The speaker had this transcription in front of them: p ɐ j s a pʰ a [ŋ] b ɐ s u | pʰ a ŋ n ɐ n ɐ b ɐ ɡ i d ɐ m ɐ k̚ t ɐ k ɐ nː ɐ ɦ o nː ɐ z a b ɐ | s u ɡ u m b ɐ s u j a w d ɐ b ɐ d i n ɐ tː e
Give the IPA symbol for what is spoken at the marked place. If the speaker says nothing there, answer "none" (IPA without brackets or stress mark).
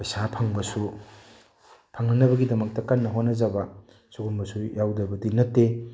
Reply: ŋ